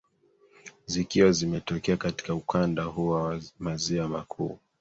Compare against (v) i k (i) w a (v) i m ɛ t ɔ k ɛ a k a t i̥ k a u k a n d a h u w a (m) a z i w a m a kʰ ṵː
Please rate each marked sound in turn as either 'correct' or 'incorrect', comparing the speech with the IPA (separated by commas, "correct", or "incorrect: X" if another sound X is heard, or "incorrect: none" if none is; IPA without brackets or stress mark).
incorrect: z, correct, incorrect: z, correct